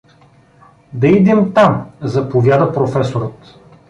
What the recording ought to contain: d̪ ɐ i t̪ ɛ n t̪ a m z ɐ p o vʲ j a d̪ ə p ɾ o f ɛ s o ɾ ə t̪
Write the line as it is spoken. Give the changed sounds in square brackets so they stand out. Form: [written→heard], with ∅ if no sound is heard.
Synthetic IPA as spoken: d̪ ɐ i [t̪→d̪] ɛ [n→m] t̪ a m z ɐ p o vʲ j a d̪ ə p ɾ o f ɛ s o ɾ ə t̪